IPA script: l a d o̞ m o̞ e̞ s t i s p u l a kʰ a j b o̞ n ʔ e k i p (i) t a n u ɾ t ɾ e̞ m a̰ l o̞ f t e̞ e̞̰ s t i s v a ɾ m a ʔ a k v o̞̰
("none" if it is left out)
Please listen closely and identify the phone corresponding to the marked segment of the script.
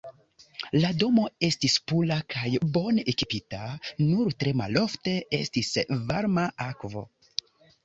i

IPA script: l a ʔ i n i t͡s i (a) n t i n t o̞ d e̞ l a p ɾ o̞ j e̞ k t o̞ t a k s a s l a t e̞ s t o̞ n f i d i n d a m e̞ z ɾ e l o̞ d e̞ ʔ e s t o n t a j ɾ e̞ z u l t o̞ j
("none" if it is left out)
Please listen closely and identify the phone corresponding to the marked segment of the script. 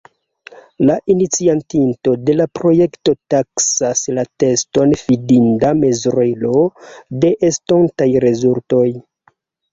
a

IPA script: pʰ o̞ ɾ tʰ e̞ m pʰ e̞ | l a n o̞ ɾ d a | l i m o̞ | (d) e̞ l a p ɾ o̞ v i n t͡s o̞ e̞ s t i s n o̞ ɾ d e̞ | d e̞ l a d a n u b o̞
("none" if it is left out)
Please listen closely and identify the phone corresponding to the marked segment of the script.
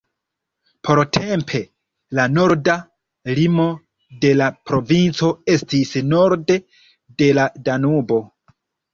d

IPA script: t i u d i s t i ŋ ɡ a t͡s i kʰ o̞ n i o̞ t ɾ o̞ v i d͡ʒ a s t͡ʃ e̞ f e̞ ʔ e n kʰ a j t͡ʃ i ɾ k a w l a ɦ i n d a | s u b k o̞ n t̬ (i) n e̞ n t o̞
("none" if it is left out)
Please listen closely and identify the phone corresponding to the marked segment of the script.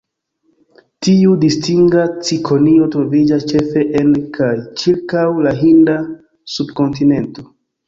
i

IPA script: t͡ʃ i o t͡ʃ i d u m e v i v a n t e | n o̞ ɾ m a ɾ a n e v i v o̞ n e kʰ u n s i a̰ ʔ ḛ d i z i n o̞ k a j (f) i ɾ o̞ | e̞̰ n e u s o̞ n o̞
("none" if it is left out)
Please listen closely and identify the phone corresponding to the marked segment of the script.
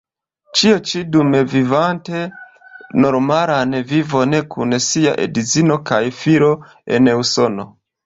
f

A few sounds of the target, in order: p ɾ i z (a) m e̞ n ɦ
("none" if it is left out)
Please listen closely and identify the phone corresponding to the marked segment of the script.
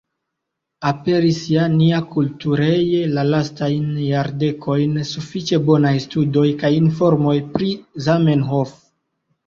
a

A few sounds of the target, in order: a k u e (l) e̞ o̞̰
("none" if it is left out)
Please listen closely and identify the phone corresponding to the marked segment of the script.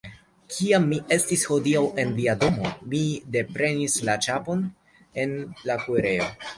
ɾ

